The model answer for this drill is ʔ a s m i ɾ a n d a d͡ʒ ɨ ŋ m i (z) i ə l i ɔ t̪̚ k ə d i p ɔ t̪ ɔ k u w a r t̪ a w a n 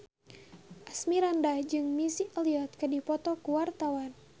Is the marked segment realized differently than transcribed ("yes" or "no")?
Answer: yes